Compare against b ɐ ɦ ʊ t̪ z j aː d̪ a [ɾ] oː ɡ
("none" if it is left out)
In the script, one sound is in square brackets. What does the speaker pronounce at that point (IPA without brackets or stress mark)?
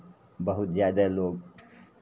l